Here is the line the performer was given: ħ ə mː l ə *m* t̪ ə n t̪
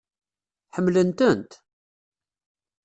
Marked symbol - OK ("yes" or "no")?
no